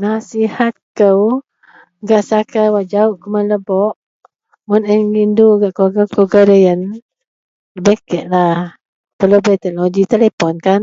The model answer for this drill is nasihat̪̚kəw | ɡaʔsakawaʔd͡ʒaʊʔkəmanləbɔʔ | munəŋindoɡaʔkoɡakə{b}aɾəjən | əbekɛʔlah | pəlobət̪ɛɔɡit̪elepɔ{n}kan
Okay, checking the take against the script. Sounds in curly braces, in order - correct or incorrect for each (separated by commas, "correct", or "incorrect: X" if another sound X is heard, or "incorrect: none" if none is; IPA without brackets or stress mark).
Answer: incorrect: ɡ, correct